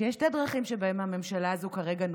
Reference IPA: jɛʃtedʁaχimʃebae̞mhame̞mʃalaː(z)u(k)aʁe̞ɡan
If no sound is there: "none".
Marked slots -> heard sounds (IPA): z, k

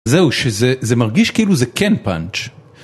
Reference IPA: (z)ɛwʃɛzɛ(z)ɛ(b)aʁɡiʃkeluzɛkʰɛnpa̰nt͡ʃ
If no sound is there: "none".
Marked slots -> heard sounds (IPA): z, z, m

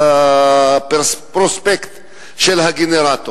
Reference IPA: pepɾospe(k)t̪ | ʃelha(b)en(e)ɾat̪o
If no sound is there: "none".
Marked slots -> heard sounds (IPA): k, ɡ, e

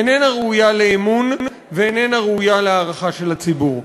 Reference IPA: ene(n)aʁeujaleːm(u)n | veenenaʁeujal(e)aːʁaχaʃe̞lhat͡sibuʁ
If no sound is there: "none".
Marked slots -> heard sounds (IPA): n, u, e

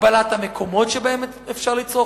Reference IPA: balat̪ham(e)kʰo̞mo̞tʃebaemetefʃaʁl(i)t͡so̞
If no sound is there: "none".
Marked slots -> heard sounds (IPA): e, i

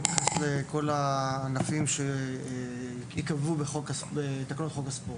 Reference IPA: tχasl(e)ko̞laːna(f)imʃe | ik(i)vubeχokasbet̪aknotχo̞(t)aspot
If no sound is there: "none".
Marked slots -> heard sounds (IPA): e, f, a, k

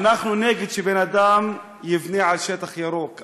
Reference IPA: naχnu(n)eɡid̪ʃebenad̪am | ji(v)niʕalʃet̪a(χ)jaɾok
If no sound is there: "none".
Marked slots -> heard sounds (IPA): n, v, χ

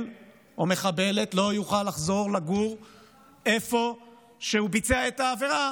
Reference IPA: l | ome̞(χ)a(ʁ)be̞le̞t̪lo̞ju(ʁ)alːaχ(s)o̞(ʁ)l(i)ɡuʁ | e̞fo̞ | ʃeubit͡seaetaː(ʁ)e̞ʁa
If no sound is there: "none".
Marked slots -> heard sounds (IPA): χ, none, χ, z, ʁ, a, v

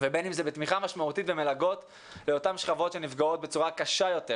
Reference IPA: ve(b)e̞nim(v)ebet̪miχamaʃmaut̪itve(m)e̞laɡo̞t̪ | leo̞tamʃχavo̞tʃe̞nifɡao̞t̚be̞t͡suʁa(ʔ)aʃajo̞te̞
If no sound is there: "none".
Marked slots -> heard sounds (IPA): b, z, m, k

